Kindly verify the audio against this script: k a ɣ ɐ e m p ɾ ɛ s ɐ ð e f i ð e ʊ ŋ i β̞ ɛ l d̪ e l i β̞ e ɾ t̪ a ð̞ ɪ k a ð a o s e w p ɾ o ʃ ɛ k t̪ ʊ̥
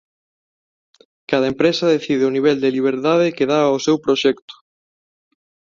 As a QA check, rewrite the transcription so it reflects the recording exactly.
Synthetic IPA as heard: k a ð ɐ e m p ɾ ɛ s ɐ ð e θ i ð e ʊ n i β̞ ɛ l d̪ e l i β̞ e ɾ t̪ a ð̞ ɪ k e ð a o s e w p ɾ o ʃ ɛ k t̪ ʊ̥